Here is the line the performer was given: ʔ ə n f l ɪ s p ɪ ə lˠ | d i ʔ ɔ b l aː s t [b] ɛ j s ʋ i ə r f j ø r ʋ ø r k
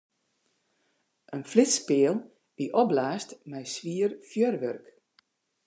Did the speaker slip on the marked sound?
yes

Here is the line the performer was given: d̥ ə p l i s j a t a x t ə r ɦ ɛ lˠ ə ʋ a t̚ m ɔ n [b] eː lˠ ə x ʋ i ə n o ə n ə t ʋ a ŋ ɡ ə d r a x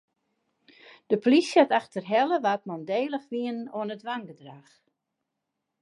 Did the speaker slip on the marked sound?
yes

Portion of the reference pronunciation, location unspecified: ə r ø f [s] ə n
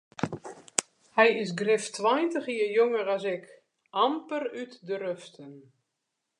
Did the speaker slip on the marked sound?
yes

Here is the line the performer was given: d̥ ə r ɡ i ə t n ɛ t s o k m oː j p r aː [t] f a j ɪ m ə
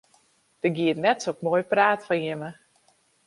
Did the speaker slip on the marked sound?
no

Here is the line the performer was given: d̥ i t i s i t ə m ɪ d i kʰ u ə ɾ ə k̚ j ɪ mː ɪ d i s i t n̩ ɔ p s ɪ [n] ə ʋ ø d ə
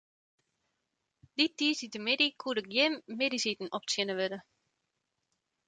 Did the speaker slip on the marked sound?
no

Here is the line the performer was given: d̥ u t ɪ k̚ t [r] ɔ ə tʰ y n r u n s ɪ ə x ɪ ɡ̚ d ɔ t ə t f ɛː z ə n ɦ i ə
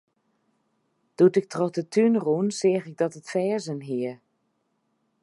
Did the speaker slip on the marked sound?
no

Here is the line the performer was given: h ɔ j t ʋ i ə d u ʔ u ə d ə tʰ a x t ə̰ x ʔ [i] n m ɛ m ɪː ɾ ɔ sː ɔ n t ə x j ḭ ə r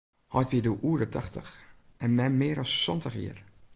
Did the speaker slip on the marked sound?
yes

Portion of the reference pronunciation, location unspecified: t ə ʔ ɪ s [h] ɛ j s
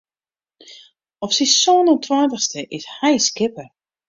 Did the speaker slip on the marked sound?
no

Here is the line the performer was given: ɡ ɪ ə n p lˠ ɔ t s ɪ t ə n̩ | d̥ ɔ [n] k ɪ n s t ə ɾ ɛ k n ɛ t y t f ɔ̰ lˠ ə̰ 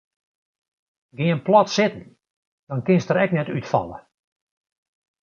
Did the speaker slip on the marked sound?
no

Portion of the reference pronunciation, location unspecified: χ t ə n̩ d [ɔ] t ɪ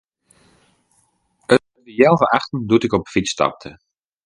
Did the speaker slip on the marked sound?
yes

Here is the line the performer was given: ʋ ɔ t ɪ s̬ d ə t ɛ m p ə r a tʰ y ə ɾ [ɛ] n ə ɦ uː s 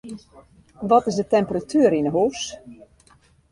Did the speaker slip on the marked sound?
yes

